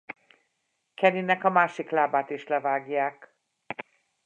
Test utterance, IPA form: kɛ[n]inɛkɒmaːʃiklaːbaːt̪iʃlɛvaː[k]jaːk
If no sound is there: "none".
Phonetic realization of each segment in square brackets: n, ɡ

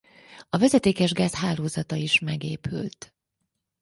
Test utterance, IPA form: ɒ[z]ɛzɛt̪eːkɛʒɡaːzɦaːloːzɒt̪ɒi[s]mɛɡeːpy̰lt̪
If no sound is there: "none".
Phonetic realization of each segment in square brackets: v, ʃ

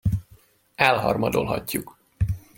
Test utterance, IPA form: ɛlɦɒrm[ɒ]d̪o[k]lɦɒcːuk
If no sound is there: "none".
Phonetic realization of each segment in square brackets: ɒ, none

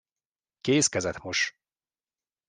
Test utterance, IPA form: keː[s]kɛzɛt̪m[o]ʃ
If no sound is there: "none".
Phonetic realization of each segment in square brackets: s, o

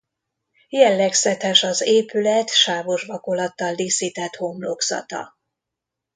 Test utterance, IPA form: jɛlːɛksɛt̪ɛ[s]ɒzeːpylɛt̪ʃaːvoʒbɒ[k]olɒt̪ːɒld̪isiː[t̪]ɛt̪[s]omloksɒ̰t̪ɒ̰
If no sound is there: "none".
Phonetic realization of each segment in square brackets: ʃ, k, t̪, h

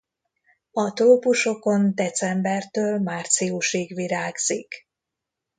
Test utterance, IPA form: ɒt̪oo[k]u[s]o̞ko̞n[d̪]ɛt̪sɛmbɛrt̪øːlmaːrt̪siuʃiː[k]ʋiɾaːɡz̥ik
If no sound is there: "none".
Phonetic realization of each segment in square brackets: p, ʃ, d̪, ɡ

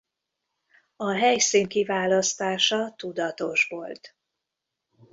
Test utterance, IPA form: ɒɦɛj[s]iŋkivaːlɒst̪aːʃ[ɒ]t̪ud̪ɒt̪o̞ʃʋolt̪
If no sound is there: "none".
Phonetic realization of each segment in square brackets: s, ɒ

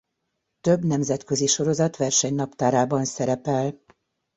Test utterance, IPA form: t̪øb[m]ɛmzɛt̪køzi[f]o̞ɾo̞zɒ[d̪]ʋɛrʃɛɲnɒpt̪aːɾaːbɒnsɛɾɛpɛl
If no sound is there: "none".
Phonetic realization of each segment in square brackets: n, ʃ, t̪

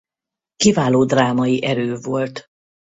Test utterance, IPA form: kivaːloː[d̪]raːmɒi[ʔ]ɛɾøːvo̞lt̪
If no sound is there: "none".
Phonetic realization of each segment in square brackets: d̪, ʔ

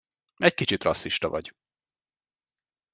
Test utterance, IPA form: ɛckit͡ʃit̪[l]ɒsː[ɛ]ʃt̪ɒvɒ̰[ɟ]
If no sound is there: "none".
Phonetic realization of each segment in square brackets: r, i, ɟ

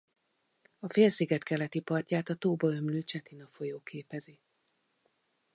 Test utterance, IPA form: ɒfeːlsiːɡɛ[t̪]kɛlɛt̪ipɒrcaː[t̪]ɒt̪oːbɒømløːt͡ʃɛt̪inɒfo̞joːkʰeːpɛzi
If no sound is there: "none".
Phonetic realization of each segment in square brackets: t̪, t̪

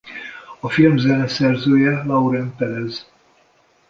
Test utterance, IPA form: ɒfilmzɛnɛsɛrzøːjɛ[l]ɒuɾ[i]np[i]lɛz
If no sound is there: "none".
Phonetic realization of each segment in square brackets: l, ɛ, ɛ

